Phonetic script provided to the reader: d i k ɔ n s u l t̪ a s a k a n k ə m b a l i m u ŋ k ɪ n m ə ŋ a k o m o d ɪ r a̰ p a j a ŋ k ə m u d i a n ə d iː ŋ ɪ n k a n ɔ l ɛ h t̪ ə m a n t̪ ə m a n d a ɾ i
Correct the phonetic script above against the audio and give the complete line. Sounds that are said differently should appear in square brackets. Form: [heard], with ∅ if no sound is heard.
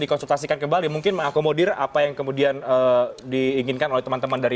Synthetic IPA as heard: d i k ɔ n s u l t̪ a s [i] k a n k ə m b a l i m u ŋ k ɪ n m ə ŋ a k o m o d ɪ r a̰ p a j a ŋ k ə m u d i a n ə d iː ŋ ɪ n k a n [o] l ɛ h t̪ ə m a n t̪ ə m a n d a ɾ i

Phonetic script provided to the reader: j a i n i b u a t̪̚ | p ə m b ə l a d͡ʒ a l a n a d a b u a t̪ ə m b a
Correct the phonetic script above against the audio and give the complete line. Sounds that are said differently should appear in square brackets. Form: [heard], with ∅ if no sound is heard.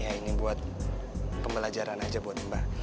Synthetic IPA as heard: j a i n i b u a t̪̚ | p ə m b ə l a d͡ʒ a [ɾ] a n a [d͡ʒ] a b u a t̪ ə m b a

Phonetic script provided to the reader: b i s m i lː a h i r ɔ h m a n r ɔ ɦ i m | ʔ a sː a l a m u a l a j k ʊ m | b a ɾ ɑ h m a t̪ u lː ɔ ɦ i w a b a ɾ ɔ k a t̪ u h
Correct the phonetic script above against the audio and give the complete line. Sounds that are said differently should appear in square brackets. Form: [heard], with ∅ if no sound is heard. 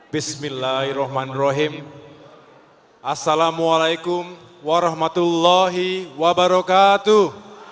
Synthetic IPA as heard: b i s m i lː a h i r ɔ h m a n r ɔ ɦ i m | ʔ a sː a l a m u a l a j k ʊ m | [w] a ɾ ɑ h m a t̪ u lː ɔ ɦ i w a b a ɾ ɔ k a t̪ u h

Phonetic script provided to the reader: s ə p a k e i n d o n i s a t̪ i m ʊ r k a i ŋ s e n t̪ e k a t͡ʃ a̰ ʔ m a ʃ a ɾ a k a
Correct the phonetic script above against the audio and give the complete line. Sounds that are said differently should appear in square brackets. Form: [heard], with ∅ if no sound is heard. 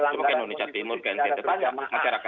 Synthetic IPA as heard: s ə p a k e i n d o n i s a t̪ i m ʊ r k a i [n] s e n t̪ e [p] a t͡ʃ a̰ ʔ m a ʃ a ɾ a k a

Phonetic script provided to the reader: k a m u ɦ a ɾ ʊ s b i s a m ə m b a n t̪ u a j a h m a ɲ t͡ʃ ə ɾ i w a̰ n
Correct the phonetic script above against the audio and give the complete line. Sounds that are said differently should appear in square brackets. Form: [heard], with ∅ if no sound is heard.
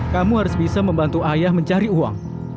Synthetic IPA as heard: k a m u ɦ a ɾ ʊ s b i s a m ə m b a n t̪ u a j a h m [ə] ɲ t͡ʃ [a] ɾ i [u] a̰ [ŋ]

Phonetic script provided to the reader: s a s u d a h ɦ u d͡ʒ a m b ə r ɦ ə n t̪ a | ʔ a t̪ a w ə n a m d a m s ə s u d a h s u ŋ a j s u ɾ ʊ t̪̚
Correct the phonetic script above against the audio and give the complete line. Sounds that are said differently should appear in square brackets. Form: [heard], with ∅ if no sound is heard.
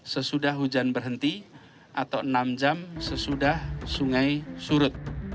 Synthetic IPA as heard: s [ə] s u d a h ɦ u d͡ʒ a [n] b ə r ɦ ə n t̪ [i] | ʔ a t̪ a w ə n a m [d͡ʒ] a m s ə s u d a h s u ŋ a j s u ɾ ʊ t̪̚

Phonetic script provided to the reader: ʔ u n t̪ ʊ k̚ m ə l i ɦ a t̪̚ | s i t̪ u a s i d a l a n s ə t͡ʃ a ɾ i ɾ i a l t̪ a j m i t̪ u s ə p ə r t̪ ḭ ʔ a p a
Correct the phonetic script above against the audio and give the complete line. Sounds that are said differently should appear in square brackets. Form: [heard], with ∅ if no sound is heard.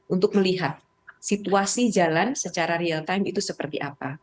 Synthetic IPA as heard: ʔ u n t̪ ʊ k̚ m ə l i ɦ a t̪̚ | s i t̪ u a s i [d͡ʒ] a l a n s ə t͡ʃ a ɾ [a] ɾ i a l t̪ a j m i t̪ u s ə p ə r t̪ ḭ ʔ a p a

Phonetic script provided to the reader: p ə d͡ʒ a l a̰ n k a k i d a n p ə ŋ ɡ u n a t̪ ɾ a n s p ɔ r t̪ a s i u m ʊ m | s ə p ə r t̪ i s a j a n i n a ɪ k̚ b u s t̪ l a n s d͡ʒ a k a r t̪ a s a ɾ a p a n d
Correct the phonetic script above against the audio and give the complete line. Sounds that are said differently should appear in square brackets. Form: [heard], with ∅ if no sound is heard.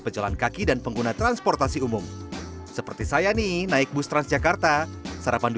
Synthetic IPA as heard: p ə d͡ʒ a l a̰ n k a k i d a n p ə ŋ ɡ u n a t̪ ɾ a n s p ɔ r t̪ a s i u m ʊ m | s ə p ə r t̪ i s a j a n i n a ɪ k̚ b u s t̪ [ɾ] a n s d͡ʒ a k a r t̪ a s a ɾ a p a n d

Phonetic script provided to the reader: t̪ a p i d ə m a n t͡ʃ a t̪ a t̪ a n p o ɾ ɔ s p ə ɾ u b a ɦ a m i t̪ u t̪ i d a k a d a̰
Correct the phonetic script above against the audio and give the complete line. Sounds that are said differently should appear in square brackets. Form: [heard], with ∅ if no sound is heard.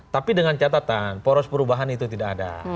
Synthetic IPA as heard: t̪ a p i d ə [ŋ] a n t͡ʃ a t̪ a t̪ a n p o ɾ ɔ s p ə ɾ u b a ɦ a [n] i t̪ u t̪ i d a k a d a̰

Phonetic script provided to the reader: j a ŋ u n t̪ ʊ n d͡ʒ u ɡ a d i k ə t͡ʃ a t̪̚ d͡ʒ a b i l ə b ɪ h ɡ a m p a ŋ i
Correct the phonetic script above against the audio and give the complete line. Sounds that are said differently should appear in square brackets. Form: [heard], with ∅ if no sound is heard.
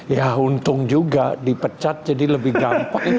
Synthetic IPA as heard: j a [∅] u n t̪ ʊ [ŋ] d͡ʒ u ɡ a d i [p] ə t͡ʃ a t̪̚ d͡ʒ a [d] i l ə b ɪ h ɡ a m p a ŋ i

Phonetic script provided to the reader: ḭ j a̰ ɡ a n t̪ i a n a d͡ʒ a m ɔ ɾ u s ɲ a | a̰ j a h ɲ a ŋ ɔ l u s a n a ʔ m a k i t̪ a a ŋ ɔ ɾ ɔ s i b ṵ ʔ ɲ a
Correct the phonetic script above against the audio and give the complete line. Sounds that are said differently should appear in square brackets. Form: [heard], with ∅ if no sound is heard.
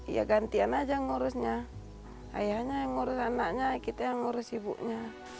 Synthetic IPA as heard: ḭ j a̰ ɡ a n t̪ i a n a d͡ʒ a [ŋ] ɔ ɾ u s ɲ a | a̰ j a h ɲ a ŋ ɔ [ɾ] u s a n a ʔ [ɲ] a k i t̪ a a ŋ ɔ ɾ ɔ s i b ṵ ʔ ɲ a

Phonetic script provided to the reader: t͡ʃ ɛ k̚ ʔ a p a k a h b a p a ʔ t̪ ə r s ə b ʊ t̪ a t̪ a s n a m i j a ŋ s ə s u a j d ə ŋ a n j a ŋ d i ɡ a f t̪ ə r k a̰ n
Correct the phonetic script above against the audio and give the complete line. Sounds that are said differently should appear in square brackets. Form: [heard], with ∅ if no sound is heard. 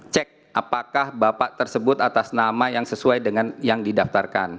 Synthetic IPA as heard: t͡ʃ ɛ k̚ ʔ a p a k a h b a p a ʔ t̪ ə r s ə b ʊ t̪ a t̪ a s n a m [a] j a ŋ s ə s u a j d ə ŋ a n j a ŋ d i [d] a f t̪ [a] r k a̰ n

